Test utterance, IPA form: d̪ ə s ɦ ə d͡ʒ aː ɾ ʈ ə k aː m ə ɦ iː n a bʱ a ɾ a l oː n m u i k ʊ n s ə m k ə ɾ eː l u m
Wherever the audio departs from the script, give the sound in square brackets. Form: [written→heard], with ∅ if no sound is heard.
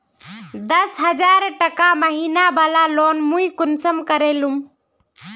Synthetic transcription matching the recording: d̪ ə s ɦ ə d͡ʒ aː ɾ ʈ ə k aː m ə ɦ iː n a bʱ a [ɾ→l] a l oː n m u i k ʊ n s ə m k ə ɾ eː l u m